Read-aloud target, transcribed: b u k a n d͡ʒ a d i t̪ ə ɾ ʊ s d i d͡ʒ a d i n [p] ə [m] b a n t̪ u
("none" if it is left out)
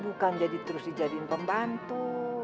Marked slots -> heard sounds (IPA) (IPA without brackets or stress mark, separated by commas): p, m